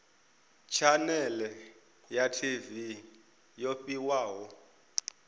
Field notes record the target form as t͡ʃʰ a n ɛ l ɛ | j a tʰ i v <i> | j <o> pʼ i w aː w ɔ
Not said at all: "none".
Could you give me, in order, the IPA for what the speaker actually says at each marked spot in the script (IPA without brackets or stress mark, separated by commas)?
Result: i, o